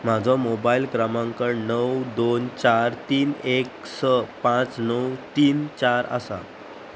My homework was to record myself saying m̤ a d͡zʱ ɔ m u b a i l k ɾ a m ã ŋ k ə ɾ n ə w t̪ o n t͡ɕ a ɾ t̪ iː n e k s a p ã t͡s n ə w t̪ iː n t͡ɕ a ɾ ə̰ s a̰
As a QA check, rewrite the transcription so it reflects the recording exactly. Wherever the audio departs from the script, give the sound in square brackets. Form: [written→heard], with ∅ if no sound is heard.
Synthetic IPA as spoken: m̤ a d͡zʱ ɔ m [u→o] b a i l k ɾ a m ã ŋ k ə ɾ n ə w [t̪→d̪] o n t͡ɕ a ɾ t̪ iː n e k s [a→ə] p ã t͡s n ə w t̪ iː n t͡ɕ a ɾ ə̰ s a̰